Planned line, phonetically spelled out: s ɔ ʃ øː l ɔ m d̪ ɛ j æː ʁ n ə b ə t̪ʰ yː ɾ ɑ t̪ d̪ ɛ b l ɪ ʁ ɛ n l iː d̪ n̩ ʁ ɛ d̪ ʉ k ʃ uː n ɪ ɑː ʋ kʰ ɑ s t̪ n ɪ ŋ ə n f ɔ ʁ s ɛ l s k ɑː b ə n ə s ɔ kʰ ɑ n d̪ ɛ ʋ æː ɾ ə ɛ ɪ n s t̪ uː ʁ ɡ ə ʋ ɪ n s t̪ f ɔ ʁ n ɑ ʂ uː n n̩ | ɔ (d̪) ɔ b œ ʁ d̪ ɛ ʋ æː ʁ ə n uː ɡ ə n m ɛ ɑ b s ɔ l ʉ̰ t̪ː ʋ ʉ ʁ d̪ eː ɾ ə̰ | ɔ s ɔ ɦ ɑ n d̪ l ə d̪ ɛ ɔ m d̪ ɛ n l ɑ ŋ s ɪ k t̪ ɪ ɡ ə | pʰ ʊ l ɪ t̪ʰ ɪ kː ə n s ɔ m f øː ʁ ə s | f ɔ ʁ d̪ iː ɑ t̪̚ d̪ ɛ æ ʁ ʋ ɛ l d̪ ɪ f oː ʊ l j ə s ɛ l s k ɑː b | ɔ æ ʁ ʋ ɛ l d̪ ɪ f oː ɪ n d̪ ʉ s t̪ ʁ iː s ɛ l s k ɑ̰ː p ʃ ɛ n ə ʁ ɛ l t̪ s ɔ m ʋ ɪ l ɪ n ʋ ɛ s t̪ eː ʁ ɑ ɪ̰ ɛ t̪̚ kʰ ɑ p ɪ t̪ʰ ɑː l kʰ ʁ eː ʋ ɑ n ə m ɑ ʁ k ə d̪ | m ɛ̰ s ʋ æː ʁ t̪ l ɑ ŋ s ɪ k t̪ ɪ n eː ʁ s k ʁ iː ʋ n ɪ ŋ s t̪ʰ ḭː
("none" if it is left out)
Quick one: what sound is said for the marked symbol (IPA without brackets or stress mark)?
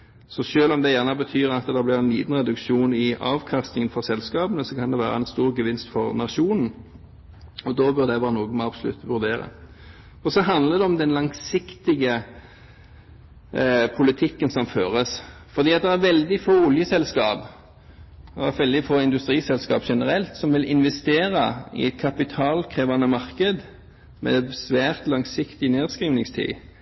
d̪